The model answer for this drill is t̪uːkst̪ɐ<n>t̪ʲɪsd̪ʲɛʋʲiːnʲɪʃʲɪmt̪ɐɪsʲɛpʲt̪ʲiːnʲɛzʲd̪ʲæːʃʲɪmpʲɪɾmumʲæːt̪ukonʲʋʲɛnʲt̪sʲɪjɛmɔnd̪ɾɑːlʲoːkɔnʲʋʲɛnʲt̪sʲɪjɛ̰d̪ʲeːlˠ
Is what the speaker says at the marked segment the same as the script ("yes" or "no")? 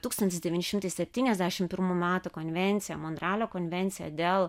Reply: yes